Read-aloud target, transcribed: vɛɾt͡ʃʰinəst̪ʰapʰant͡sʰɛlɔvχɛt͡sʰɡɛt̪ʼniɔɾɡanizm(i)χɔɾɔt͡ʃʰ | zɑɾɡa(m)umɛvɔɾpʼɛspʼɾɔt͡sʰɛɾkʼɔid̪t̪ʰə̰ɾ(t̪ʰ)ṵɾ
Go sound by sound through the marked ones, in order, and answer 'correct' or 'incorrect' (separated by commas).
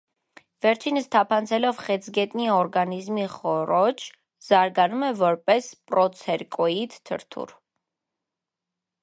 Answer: correct, incorrect, correct